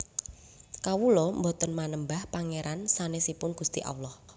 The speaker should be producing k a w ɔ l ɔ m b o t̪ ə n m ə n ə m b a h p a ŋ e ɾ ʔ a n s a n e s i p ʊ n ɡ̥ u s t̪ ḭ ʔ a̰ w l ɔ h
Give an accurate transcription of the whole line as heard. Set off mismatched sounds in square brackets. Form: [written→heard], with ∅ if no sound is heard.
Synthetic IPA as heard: k a w [ɔ→u] l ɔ m b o t̪ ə n m [ə→a] n ə m b a h p a ŋ e ɾ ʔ a n s a n e s i p ʊ n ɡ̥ u s t̪ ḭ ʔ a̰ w l ɔ h

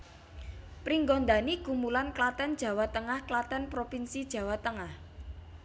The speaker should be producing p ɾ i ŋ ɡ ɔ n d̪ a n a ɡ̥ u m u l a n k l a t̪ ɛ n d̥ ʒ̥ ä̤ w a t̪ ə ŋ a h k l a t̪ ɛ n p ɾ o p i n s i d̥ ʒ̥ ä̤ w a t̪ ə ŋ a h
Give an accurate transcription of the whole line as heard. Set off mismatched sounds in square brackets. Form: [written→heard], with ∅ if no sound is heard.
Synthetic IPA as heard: p ɾ i ŋ ɡ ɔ n d̪ a n [a→i] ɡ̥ u m u l a n k l a t̪ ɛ n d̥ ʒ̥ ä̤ w a t̪ ə ŋ a h k l a t̪ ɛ n p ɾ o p i n s i d̥ ʒ̥ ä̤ w a t̪ ə ŋ a h

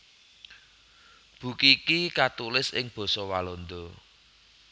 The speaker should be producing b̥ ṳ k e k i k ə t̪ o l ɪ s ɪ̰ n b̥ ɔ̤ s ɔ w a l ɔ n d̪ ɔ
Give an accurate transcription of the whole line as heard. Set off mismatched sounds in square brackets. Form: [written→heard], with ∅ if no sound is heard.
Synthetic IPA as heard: b̥ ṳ k [e→i] k i k [ə→a] t̪ [o→u] l ɪ s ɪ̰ [n→ŋ] b̥ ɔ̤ s ɔ w a l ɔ n d̪ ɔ

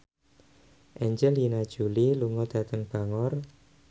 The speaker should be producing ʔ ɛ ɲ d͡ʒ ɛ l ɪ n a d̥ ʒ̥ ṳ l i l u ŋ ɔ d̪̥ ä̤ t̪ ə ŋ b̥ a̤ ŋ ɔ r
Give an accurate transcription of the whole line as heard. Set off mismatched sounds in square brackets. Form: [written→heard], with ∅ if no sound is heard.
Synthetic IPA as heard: ʔ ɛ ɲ d͡ʒ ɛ l [ɪ→i] n a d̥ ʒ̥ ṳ l i l u ŋ ɔ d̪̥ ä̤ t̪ ə ŋ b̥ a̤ ŋ ɔ r

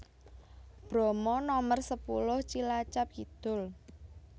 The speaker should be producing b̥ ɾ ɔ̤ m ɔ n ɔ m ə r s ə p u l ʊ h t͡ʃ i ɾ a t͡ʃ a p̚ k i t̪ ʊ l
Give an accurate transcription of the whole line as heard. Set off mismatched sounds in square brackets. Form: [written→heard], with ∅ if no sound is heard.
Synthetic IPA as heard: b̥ ɾ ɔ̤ m ɔ n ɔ m ə r s ə p u l ʊ h t͡ʃ i [ɾ→l] a t͡ʃ a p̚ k i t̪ ʊ l

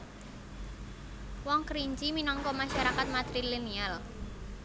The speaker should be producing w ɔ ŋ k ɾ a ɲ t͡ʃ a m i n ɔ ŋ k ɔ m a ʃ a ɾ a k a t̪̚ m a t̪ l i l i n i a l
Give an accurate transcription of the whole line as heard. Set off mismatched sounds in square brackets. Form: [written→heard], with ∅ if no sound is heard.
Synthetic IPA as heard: w ɔ ŋ k ɾ [a→i] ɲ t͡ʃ [a→i] m i n ɔ ŋ k ɔ m a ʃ a ɾ a k a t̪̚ m a t̪ [l→ɾ] i l i n i a l

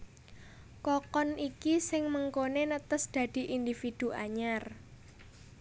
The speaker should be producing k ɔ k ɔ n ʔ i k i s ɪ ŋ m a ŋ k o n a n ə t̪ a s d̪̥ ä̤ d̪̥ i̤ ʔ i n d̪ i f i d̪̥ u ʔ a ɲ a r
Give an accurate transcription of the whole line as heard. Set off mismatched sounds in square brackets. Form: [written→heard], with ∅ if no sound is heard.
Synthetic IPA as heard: k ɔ k ɔ n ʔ i k i s ɪ ŋ m [a→ə] ŋ k o n [a→e] n ə t̪ [a→ə] s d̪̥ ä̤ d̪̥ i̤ ʔ i n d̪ i f i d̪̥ u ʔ a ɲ a r

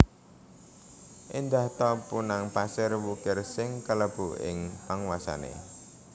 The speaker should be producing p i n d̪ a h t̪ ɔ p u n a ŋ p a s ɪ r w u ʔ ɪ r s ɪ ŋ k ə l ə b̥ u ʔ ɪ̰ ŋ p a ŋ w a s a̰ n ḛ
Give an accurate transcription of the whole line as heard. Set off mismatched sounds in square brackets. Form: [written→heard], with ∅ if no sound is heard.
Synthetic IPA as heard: [p→ʔ] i n d̪ a h t̪ ɔ p u n a ŋ p a s ɪ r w u [ʔ→k] ɪ r s ɪ ŋ k ə l ə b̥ u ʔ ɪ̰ ŋ p a ŋ w a s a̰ n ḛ

